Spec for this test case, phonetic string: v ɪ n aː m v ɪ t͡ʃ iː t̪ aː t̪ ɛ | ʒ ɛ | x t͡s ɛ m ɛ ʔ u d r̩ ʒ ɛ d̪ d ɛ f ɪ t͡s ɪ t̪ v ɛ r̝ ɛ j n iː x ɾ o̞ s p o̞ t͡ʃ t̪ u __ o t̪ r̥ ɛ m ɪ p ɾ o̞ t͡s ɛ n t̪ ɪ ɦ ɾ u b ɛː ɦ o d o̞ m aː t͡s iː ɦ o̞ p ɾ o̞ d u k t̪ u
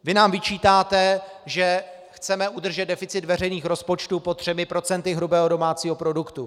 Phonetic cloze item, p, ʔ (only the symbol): p